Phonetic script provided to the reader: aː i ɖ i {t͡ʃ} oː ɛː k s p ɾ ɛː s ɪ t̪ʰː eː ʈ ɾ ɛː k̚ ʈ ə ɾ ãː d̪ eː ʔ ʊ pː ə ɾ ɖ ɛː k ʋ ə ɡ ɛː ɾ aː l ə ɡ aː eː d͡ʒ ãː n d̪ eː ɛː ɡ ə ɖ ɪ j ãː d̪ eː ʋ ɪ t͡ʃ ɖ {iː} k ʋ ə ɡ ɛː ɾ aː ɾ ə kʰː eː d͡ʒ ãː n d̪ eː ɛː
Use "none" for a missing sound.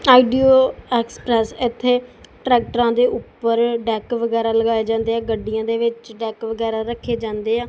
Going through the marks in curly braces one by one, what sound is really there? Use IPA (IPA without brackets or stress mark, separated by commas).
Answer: none, ɛː